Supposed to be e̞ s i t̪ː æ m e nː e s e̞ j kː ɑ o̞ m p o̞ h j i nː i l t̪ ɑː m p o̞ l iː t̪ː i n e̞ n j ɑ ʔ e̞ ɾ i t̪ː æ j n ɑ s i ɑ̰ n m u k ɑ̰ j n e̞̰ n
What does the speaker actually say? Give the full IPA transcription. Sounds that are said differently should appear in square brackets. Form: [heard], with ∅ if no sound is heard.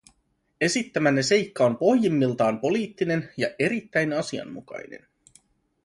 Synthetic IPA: e̞ s i t̪ː æ m [æ] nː e s e̞ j kː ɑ o̞ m p o̞ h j i [mː] i l t̪ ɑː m p o̞ l iː t̪ː i n e̞ n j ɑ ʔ e̞ ɾ i t̪ː æ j n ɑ s i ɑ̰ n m u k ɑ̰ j n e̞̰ n